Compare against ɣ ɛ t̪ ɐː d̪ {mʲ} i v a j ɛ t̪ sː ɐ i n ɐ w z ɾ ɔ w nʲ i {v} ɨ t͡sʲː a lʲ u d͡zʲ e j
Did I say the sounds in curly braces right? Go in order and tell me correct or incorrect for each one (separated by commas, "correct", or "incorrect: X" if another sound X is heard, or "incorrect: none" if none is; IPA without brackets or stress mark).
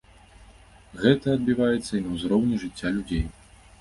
incorrect: bʲ, incorrect: ʐ